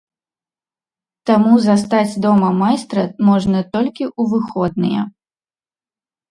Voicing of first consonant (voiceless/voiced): voiceless